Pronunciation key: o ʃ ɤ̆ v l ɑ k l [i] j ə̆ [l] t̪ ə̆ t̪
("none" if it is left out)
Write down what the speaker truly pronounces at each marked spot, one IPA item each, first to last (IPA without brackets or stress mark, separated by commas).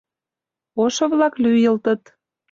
y, l